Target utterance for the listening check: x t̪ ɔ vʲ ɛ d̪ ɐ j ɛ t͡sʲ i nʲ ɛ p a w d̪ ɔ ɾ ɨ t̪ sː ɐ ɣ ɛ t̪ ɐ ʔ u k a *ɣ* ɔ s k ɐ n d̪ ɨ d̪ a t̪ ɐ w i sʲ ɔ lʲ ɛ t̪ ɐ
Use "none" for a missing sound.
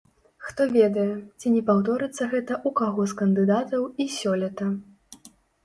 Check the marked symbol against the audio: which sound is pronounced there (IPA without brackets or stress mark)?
ɣ